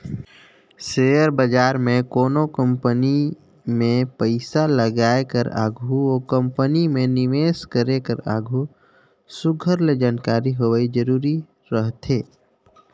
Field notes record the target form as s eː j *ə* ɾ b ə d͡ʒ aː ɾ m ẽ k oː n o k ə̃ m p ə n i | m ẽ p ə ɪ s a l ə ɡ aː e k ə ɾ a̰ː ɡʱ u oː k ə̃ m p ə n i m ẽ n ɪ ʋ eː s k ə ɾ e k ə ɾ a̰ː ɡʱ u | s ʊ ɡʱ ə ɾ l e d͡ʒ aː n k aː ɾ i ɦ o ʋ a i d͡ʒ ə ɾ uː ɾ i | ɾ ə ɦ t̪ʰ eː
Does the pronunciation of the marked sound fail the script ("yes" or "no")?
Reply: no